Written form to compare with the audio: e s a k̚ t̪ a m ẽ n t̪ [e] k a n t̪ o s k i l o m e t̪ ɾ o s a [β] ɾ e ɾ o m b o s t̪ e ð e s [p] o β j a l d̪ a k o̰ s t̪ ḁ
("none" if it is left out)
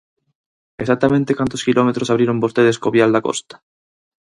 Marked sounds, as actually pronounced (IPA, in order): e, β, k

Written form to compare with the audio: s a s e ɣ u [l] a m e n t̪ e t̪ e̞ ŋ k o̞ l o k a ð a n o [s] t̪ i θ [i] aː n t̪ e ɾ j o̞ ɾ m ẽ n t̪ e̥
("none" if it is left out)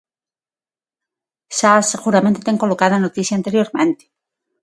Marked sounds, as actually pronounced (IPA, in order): ɾ, none, j

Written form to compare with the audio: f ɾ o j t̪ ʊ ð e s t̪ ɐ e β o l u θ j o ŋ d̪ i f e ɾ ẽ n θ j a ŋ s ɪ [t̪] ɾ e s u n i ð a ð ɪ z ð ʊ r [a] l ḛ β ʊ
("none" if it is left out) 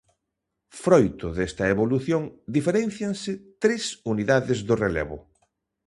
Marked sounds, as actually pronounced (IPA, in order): t̪, e

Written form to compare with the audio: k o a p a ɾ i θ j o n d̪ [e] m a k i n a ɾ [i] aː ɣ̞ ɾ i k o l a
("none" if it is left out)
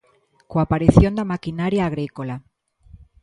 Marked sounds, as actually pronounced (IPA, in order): a, j

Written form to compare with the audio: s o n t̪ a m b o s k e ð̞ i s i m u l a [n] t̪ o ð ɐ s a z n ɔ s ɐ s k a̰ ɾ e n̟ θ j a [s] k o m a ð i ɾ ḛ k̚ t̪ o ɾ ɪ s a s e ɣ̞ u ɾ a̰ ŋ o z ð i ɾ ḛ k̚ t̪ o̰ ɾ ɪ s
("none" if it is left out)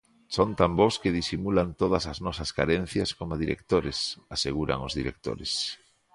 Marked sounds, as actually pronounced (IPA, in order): n, s

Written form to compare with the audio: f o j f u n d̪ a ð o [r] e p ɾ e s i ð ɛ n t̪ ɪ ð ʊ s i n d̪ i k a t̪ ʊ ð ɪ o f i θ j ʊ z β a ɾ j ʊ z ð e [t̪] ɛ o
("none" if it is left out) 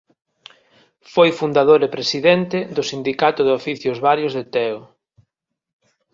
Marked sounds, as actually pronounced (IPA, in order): ɾ, t̪

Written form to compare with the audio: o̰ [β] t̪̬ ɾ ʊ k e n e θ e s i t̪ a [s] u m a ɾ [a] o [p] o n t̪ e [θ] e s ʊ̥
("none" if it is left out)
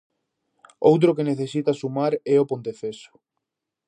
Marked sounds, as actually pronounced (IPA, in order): w, s, ɛ, p, f

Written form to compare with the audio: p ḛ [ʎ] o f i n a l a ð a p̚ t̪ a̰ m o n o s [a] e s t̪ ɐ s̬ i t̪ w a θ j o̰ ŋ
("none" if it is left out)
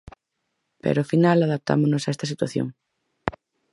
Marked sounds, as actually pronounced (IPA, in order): ɾ, a

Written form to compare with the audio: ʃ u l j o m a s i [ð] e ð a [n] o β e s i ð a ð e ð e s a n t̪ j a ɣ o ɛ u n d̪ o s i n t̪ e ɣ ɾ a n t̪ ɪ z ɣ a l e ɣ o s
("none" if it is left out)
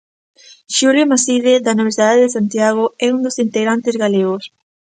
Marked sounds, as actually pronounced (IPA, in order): ð, n

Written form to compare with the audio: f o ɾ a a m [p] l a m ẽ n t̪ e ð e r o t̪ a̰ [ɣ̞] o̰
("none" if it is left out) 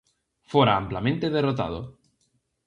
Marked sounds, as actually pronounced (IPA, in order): p, ð̞

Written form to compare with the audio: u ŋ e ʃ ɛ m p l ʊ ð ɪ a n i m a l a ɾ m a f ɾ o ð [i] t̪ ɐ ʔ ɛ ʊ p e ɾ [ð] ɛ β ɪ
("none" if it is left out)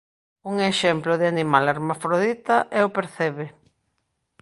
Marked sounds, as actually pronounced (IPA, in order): i, θ

